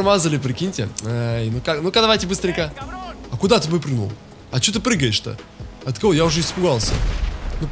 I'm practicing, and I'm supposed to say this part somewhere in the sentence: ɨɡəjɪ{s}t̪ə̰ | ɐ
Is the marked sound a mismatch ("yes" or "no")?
yes